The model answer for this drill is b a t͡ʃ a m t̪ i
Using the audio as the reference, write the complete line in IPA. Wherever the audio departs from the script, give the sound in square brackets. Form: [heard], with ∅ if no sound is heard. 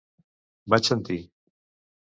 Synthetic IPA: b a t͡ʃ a [n] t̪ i